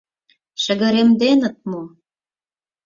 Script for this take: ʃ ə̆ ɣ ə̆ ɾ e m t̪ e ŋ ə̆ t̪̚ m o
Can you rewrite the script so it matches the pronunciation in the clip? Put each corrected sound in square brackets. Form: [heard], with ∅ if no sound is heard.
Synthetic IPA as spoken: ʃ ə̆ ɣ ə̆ ɾ e m [d̪] e [n] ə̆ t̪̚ m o